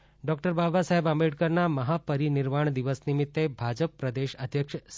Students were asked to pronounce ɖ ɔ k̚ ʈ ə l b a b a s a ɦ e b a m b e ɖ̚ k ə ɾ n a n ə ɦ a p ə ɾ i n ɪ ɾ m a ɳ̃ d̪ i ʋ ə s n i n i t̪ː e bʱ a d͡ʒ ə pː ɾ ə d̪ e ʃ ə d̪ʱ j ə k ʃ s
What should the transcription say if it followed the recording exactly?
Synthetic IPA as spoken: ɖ ɔ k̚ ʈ ə ɾ b a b a s a ɦ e b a m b e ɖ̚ k ə ɾ n a m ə ɦ a p ə ɾ i n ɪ ɾ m a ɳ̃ d̪ i ʋ ə s n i m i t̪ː e bʱ a d͡ʒ ə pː ɾ ə d̪ e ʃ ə d̪ʱ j ə k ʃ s